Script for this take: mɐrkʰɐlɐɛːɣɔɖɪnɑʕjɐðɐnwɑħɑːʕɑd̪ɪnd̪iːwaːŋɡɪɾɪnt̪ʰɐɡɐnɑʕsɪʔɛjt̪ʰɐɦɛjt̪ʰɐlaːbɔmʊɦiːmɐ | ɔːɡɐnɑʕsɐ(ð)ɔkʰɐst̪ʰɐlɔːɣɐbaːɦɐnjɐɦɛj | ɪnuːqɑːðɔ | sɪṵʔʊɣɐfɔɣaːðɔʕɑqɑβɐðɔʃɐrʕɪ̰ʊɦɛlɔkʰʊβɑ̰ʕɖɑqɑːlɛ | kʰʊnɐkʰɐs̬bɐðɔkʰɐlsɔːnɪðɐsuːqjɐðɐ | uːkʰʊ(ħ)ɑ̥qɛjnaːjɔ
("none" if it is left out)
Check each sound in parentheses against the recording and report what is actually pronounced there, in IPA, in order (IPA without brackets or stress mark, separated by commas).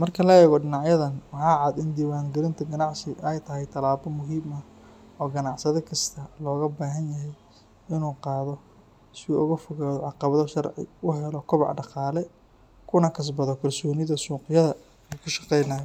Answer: ð, ʃ